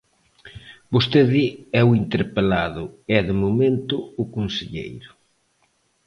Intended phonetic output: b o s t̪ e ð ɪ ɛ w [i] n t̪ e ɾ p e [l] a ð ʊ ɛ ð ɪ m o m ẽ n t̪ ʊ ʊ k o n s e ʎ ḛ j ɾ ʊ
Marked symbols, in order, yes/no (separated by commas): yes, yes